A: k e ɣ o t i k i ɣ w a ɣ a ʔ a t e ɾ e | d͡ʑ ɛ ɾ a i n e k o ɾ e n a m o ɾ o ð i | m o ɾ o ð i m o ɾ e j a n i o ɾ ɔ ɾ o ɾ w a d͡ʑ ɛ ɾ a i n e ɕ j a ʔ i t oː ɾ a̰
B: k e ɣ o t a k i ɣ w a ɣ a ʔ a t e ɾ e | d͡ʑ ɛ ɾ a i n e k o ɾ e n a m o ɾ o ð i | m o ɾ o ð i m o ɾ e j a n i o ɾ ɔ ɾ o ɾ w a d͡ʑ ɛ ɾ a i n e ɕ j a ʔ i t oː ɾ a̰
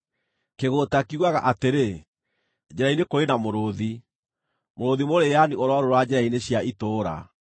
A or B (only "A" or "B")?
B